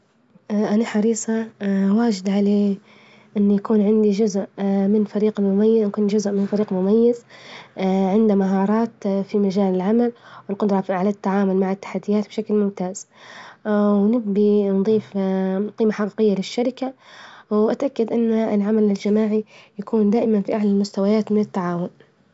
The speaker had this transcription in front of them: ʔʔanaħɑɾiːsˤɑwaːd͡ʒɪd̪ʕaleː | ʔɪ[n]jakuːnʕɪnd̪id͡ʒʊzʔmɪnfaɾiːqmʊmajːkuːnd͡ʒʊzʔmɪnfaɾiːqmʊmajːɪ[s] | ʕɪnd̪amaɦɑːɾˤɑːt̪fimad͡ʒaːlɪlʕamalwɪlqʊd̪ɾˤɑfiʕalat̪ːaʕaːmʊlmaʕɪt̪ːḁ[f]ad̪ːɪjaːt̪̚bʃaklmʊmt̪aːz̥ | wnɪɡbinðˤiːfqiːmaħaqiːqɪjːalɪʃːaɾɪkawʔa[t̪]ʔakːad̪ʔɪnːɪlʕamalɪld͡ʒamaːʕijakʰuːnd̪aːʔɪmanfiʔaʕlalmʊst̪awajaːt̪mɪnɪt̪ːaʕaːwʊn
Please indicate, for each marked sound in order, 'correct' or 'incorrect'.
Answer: incorrect, incorrect, incorrect, correct

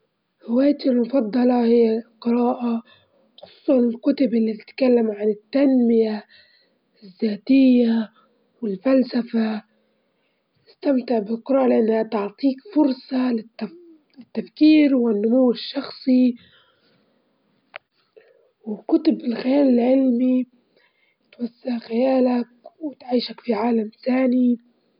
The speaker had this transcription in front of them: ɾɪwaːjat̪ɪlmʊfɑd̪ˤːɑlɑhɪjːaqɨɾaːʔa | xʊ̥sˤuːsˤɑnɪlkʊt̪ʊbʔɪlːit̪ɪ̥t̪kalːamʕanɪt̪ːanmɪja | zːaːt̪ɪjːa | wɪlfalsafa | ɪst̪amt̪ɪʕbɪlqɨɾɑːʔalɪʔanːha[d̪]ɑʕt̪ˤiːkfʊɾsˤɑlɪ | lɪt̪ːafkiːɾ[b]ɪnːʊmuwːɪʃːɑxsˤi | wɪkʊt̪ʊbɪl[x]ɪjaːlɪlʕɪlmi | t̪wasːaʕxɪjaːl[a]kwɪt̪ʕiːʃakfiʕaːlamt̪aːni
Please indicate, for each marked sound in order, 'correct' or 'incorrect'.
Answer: incorrect, incorrect, correct, correct

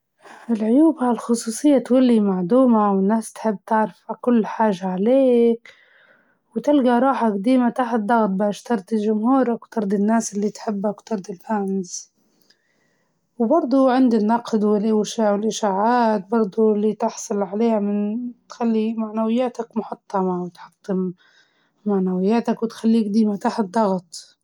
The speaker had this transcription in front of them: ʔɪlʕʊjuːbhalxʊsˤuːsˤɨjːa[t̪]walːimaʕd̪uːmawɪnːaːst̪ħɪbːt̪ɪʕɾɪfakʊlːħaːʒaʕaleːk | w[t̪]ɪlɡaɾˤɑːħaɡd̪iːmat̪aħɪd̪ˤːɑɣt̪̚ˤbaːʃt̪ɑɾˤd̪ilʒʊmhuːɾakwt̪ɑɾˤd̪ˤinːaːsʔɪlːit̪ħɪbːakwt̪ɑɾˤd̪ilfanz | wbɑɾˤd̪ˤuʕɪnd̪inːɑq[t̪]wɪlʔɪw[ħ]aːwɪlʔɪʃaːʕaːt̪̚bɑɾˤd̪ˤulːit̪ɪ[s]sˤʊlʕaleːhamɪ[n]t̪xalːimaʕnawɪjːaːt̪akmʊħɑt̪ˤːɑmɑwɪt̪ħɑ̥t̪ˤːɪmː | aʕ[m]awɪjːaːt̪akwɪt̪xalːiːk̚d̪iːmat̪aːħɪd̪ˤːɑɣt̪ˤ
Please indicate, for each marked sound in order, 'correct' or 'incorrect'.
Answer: correct, correct, incorrect, incorrect, incorrect, correct, incorrect

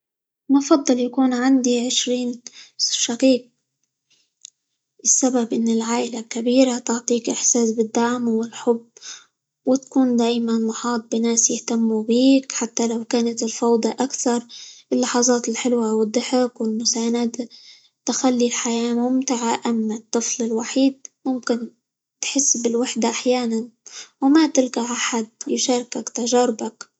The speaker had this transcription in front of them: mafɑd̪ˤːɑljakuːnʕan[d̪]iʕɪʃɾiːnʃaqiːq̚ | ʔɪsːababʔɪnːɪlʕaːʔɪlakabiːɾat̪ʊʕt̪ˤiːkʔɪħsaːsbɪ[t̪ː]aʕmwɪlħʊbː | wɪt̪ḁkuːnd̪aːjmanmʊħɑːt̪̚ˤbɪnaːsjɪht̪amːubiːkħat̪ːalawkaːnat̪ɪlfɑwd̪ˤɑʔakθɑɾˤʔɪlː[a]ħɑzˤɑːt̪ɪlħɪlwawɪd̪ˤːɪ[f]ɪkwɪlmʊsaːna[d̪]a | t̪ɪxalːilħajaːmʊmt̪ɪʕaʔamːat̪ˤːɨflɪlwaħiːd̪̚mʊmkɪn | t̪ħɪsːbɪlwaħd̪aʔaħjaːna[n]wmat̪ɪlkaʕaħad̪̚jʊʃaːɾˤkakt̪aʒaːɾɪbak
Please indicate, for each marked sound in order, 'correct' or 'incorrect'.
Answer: correct, incorrect, incorrect, incorrect, correct, correct

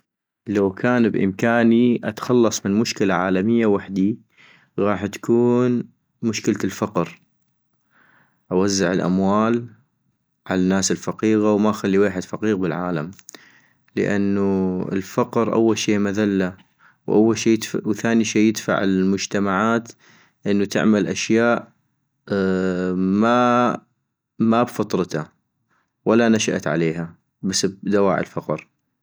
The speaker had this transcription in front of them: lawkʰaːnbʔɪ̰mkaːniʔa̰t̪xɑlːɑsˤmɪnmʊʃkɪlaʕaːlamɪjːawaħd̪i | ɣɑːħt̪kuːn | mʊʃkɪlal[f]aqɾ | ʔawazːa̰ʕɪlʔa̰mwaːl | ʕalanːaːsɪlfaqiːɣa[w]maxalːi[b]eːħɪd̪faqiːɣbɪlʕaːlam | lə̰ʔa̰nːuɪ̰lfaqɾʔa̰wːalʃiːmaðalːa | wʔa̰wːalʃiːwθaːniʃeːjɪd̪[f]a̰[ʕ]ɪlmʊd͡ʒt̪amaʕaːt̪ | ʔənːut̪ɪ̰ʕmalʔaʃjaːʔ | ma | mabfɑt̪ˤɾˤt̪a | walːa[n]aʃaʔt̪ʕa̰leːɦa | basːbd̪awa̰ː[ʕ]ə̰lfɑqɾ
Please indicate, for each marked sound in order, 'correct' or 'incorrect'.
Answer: correct, correct, incorrect, correct, correct, correct, correct

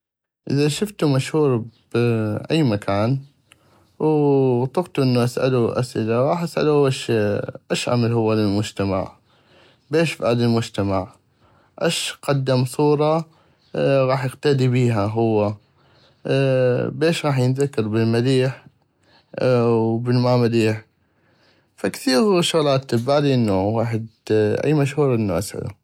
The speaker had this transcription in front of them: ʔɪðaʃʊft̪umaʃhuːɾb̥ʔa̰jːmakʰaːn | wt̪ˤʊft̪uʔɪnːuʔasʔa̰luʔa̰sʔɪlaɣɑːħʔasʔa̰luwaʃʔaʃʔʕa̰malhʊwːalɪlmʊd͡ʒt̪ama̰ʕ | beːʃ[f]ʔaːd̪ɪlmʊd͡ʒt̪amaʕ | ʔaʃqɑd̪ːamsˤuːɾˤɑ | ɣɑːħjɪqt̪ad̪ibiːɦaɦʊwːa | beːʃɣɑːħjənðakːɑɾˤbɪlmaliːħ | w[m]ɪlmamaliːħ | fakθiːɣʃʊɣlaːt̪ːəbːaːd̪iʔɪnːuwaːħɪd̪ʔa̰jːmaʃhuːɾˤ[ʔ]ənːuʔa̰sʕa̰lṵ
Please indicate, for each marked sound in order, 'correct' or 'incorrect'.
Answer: correct, incorrect, correct

